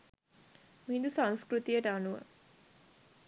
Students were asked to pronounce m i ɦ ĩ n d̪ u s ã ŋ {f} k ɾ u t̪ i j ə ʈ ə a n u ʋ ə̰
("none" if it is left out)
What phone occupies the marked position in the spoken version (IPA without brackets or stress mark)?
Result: s